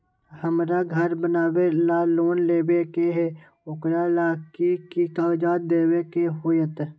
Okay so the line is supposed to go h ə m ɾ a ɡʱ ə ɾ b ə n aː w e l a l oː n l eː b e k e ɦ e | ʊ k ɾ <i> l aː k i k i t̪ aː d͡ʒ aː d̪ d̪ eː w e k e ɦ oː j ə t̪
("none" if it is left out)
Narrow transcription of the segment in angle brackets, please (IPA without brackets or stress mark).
a